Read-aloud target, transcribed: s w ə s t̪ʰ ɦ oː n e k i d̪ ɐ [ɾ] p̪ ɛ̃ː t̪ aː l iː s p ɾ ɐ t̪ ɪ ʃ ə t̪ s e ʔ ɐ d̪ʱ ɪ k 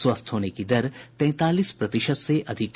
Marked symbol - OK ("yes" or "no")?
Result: yes